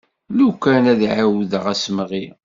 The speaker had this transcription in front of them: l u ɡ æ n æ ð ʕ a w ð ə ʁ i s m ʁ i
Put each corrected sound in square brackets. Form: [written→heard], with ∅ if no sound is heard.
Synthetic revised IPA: l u [ɡ→k] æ n æ ð ʕ a w ð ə ʁ [i→æ] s m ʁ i